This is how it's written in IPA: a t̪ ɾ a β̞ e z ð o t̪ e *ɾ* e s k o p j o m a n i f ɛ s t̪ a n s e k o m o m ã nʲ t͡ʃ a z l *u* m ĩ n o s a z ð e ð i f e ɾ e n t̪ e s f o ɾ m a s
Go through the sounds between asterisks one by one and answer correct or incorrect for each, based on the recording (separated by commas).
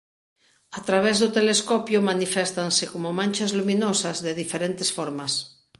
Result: incorrect, correct